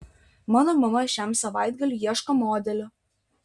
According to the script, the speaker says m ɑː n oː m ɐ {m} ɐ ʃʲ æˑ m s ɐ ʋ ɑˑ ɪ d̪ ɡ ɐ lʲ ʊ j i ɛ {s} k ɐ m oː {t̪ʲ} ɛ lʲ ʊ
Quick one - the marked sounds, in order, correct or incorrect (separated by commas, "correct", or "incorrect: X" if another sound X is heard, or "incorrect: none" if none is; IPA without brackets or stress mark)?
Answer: correct, incorrect: ʃ, incorrect: d̪ʲ